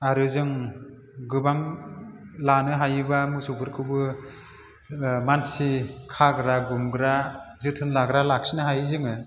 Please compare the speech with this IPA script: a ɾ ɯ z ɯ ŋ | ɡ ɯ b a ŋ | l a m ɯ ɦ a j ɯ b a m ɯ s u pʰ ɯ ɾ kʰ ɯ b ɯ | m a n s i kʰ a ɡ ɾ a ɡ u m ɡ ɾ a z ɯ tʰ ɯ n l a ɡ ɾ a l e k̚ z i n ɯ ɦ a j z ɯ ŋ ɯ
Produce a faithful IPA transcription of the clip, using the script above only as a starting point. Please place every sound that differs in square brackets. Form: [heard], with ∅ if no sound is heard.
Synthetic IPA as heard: a ɾ ɯ z ɯ ŋ | ɡ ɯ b a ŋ | l a [n] ɯ ɦ a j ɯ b a m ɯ s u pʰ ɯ ɾ kʰ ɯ b ɯ | m a n s i kʰ a ɡ ɾ a ɡ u m ɡ ɾ a z ɯ tʰ ɯ n l a ɡ ɾ a l [a] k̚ [s] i n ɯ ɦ a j z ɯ ŋ ɯ